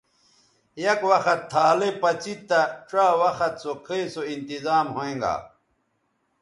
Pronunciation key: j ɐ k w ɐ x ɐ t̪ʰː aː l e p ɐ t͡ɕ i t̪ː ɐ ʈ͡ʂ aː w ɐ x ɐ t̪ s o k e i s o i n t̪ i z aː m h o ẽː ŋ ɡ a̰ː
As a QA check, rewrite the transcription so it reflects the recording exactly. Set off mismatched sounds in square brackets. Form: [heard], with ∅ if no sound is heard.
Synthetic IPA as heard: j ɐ k w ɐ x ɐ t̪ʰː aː l e p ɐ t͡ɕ i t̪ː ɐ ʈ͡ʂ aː w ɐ x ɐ t̪ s o [kʰ] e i s o i n t̪ i z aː m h o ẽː ŋ ɡ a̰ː